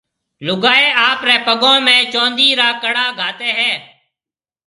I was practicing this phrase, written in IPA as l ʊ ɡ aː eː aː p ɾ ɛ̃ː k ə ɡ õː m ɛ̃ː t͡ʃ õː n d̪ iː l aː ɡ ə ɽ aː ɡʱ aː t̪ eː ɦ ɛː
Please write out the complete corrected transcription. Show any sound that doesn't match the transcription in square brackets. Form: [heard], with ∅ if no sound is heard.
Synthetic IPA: l ʊ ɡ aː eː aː p ɾ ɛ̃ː [p] ə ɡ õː m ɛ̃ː t͡ʃ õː n d̪ iː [ɾ] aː [k] ə ɽ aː ɡʱ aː t̪ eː ɦ ɛː